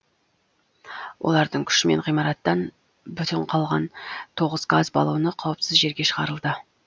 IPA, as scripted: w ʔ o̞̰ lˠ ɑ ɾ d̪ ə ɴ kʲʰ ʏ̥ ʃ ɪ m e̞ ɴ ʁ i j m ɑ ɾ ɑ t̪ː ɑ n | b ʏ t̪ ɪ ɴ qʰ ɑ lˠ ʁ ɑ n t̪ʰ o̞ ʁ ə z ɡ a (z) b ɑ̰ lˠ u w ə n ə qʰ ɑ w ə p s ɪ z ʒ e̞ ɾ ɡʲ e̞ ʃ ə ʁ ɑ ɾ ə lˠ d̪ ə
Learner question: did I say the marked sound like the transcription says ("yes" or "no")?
yes